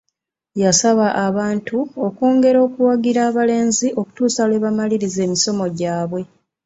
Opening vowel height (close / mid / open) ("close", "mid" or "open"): open